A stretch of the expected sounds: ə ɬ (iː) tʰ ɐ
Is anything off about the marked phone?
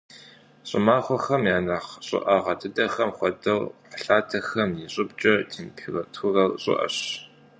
yes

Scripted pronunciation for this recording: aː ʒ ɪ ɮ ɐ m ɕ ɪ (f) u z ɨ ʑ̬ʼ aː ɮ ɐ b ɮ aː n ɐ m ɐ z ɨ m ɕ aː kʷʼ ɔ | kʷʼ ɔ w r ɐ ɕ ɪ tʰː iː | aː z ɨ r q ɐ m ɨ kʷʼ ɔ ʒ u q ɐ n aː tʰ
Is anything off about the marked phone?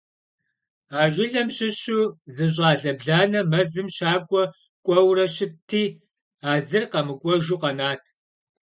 yes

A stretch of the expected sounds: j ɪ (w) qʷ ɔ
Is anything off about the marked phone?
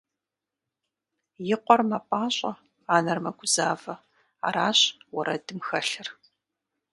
yes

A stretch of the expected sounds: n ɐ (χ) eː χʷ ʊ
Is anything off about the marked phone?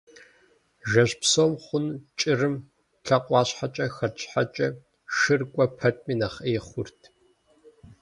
no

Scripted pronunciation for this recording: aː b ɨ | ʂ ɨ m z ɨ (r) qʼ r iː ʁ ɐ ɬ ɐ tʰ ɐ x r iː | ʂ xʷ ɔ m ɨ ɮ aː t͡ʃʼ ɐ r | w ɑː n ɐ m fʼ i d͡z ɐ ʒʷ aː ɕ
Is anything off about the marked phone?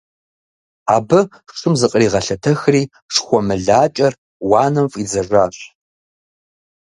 yes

